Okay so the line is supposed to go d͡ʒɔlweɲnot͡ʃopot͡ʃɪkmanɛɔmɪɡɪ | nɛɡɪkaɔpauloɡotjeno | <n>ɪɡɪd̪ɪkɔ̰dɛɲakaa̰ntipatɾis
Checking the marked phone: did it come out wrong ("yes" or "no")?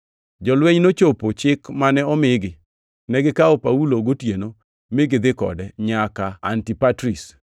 yes